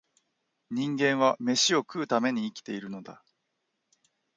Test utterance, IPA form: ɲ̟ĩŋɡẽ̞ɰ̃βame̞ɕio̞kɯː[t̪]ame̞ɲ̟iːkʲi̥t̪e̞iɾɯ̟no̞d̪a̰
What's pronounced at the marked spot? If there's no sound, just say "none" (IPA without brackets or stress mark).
t̪